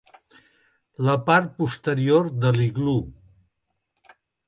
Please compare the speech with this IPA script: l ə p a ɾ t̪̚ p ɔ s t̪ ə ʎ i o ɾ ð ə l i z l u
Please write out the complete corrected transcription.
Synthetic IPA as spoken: l ə p a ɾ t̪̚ p u s t̪ ə ɾ i o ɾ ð ə l i ɣ l u